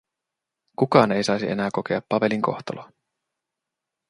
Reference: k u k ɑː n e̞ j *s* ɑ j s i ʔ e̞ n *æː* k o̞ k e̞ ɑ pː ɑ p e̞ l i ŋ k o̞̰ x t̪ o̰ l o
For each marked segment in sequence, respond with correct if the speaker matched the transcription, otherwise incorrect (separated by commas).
correct, correct